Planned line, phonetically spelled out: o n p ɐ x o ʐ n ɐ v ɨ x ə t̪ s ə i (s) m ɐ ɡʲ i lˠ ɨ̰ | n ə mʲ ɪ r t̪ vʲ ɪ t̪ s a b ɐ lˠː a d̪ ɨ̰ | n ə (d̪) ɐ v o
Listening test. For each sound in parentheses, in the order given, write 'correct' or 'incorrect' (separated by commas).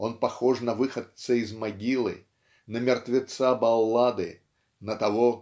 incorrect, incorrect